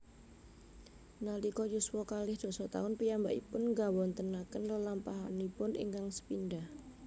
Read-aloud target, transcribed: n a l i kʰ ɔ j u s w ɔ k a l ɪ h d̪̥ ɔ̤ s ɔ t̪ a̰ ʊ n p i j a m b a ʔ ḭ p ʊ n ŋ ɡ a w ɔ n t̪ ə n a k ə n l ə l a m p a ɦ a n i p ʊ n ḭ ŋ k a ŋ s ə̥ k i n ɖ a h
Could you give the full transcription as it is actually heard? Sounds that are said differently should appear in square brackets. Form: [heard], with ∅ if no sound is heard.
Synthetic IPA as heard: n a l i [k] ɔ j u s w ɔ k a l ɪ h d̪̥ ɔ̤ s ɔ t̪ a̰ ʊ n p i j a m b a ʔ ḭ p ʊ n ŋ ɡ a w ɔ n t̪ ə n a k ə n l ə l a m p a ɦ a n i p ʊ n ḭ ŋ k a ŋ s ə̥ [p] i n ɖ a h